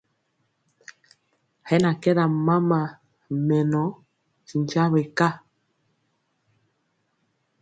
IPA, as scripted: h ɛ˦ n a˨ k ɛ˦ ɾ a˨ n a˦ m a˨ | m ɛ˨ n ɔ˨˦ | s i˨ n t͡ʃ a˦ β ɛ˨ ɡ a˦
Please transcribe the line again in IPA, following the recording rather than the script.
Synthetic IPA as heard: h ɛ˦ n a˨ k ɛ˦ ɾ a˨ m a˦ m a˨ | m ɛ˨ n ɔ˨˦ | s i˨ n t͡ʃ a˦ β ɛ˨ k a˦

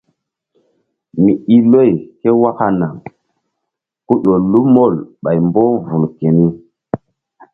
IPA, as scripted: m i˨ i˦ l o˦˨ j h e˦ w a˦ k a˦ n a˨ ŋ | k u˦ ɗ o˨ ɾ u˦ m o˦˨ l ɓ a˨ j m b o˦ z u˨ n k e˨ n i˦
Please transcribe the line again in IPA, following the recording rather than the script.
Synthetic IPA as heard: m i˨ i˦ l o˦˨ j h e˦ w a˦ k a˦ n a˨ ŋ | k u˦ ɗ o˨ l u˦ m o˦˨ l ɓ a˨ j m b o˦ v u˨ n k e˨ n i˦

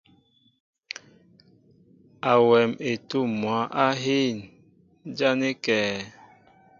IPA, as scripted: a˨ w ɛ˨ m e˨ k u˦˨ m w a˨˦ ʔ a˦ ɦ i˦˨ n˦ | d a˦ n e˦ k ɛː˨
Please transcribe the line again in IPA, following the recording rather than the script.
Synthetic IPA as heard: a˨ w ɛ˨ m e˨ t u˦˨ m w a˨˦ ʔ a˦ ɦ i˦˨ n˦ | d͡ʒ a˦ n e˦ k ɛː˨

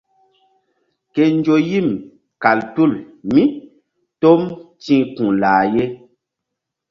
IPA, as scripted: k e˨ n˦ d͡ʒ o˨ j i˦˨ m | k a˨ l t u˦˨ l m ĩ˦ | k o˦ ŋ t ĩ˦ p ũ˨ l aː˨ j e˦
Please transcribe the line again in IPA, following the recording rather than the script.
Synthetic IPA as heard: k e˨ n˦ d͡ʒ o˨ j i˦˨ m | k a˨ l t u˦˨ l m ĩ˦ | t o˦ m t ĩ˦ k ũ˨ l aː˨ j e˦

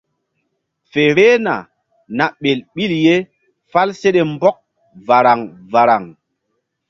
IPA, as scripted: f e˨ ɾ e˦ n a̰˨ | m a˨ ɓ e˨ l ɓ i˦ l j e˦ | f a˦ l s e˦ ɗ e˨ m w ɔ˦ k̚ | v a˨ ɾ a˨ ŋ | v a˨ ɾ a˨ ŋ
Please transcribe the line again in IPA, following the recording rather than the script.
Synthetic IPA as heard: f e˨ ɾ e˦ n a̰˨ | n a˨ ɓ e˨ l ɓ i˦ l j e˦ | f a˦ l s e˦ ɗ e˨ m b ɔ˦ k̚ | v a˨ ɾ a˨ ŋ | v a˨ ɾ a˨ ŋ

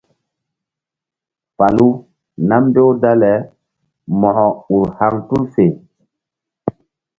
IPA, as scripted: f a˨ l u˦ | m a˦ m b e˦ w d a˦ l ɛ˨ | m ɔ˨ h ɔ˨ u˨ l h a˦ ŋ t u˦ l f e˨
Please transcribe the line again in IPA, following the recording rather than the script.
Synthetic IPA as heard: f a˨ l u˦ | n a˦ m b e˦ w d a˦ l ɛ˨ | m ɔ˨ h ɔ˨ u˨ ɾ h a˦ ŋ t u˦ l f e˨

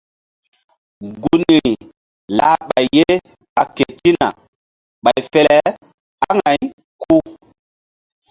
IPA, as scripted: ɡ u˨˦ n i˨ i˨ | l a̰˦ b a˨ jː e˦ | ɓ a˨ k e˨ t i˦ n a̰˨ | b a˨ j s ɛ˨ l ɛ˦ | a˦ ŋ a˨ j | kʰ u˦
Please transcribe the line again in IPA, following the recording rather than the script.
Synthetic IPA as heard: ɡ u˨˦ n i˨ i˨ | l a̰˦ ɓ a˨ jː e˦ | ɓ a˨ k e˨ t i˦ n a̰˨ | ɓ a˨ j f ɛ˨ l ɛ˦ | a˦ ŋ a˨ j | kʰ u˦

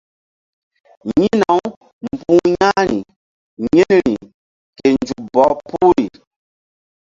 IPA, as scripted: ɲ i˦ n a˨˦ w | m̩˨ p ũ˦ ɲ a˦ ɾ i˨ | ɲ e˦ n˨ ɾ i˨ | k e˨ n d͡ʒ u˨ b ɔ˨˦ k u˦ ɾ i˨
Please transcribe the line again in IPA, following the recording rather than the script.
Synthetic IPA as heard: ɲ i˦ n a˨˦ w | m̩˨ p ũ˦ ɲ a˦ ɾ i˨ | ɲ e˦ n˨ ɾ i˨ | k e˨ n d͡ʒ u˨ b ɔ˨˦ p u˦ ɾ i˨

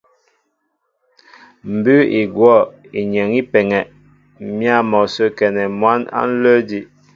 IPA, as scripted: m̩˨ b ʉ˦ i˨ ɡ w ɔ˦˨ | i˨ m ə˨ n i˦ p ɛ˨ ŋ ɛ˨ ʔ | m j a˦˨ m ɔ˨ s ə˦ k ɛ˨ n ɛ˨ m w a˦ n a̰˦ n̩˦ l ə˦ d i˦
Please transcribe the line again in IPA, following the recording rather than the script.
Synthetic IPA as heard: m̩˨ b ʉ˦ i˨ ɡ w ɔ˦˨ | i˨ ɲ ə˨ ŋ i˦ p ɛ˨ ŋ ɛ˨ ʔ | m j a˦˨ m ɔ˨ s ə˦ k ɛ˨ n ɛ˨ m w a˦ n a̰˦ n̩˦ l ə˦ d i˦

